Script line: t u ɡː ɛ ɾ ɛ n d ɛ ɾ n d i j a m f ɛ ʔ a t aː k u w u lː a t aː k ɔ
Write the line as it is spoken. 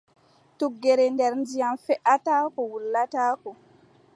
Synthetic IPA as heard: t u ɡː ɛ ɾ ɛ n d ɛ ɾ n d i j a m f ɛ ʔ a t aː k ɔ w u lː a t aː k ɔ